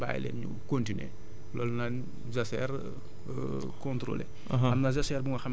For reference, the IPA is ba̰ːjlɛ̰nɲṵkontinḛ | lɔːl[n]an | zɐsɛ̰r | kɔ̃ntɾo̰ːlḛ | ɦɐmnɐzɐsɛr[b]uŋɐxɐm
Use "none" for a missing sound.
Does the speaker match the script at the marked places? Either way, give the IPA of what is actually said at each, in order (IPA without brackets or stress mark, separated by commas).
n, b